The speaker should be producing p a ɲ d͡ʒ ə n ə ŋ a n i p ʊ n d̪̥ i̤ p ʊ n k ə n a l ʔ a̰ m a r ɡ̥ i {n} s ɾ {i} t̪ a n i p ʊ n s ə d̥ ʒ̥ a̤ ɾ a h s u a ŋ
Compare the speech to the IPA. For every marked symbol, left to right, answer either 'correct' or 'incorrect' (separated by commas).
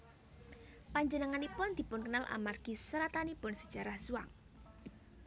incorrect, incorrect